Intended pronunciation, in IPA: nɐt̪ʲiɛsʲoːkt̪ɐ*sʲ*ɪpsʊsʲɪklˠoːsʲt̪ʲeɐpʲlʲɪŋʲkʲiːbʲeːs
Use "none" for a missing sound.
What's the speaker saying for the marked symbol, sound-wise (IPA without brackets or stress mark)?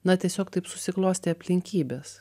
none